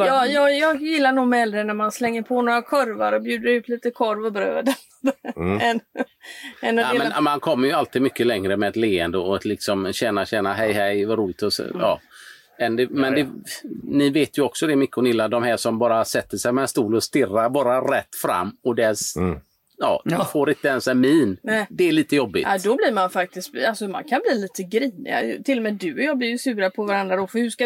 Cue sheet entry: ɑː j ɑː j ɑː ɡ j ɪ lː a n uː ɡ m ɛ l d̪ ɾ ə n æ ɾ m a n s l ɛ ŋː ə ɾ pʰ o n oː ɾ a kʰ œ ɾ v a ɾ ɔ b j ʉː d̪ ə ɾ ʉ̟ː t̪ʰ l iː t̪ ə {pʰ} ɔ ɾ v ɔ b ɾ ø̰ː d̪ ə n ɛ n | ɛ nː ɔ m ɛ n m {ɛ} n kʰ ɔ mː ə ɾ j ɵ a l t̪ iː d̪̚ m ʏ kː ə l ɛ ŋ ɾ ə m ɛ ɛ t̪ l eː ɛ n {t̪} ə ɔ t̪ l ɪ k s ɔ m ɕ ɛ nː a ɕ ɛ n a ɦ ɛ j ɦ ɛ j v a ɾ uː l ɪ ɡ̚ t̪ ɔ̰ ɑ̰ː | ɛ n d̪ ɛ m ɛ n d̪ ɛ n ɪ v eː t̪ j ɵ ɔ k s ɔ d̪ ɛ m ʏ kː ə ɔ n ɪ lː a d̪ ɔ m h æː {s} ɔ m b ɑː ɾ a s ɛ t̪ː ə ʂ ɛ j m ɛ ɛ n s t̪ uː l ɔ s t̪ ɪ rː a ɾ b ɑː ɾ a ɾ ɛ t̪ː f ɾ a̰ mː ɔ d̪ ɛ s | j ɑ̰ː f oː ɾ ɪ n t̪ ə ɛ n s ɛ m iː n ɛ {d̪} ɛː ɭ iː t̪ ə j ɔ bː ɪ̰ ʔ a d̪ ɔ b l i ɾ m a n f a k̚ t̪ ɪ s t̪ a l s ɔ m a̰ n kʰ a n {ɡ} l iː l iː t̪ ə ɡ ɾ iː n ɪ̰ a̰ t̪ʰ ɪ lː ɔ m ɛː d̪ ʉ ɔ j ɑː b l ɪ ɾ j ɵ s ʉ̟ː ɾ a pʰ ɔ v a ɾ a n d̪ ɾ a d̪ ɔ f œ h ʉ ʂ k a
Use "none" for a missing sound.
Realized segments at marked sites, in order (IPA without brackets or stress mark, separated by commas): kʰ, a, d̪, ʂ, d̪, b